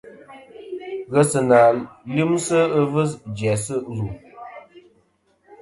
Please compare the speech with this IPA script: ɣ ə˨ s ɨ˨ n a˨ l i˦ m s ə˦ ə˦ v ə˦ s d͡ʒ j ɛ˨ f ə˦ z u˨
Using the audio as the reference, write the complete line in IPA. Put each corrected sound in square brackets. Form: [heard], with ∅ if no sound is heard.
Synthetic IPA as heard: ɣ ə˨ s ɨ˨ n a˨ l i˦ m s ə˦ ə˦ v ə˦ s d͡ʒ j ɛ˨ [s] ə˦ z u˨